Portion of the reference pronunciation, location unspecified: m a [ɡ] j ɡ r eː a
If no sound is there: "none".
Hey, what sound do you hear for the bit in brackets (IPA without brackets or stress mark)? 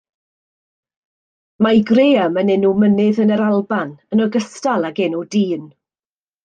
none